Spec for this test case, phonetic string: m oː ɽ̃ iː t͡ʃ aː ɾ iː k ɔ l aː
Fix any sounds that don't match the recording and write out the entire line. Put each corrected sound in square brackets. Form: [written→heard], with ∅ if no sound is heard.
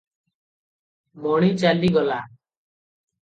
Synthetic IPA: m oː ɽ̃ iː t͡ʃ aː [ɾ→l] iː [k→ɡ] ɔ l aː